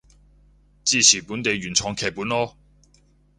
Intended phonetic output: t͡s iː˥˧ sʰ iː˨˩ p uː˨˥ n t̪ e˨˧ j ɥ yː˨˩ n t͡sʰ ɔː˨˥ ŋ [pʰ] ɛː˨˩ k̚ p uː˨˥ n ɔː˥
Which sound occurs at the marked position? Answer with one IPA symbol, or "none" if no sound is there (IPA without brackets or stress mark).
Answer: kʰ